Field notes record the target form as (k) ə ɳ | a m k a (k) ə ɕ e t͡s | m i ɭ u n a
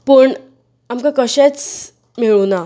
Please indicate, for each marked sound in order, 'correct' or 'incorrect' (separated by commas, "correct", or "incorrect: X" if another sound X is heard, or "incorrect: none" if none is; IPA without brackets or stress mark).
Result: incorrect: p, correct